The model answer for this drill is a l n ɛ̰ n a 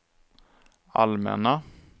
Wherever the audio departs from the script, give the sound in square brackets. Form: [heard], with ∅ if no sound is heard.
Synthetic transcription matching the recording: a l [m] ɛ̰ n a